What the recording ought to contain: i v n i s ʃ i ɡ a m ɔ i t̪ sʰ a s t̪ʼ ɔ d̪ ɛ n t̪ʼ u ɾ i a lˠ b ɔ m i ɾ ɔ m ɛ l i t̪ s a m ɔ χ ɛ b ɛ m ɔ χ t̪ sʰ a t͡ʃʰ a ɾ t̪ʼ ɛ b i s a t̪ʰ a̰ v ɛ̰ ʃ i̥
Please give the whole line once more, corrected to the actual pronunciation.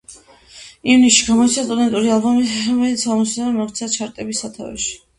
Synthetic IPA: i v n i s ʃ i ɡ a m ɔ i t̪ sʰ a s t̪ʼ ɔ d̪ ɛ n t̪ʼ u ɾ i a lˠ b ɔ m i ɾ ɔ m ɛ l i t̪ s a m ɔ s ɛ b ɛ m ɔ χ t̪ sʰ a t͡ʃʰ a ɾ t̪ʼ ɛ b i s a t̪ʰ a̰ v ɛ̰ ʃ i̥